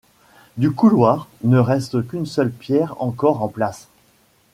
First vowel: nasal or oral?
oral